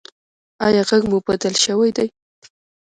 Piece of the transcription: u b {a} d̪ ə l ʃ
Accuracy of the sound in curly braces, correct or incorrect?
correct